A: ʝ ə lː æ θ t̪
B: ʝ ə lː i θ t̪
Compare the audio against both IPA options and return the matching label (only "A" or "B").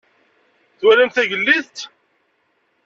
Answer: B